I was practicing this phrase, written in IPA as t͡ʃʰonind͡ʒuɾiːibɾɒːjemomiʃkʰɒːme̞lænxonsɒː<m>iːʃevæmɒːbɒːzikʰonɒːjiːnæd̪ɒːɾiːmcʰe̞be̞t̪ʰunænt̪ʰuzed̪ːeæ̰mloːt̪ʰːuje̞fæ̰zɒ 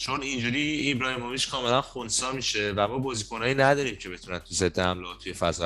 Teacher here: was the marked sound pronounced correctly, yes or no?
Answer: yes